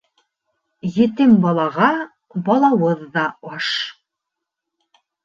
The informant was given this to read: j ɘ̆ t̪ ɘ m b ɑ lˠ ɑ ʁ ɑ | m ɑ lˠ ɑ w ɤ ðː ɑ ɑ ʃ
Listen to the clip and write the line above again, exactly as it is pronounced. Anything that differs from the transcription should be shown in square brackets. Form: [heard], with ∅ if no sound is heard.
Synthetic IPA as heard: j ɘ̆ t̪ ɘ m b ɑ lˠ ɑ ʁ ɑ | [b] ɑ lˠ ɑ w ɤ ðː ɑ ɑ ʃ